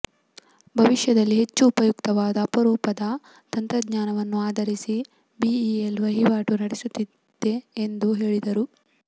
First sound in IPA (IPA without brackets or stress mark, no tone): bʱ